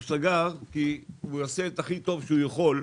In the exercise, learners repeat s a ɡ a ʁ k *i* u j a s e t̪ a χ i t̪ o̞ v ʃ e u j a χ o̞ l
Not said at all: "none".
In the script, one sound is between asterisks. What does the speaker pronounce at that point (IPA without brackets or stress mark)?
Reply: i